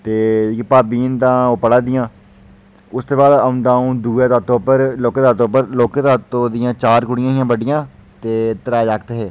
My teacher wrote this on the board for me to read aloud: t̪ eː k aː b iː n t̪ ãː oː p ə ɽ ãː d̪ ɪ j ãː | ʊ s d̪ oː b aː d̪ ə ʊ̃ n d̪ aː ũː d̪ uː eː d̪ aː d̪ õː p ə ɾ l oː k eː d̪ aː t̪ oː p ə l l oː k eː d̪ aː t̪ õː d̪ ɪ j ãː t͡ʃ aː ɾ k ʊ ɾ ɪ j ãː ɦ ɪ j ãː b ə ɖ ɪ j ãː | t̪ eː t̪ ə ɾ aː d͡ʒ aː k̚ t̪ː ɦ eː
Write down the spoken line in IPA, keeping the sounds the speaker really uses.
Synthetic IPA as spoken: t̪ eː p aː b iː n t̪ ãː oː p ə ɽ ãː d̪ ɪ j ãː | ʊ s t̪ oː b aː d̪ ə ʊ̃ n d̪ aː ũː d̪ uː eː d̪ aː t̪ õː p ə ɾ l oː k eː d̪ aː t̪ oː p ə ɾ l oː k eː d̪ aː t̪ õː d̪ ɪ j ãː t͡ʃ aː ɾ k ʊ ɽ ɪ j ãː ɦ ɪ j ãː b ə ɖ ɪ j ãː | t̪ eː t̪ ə ɾ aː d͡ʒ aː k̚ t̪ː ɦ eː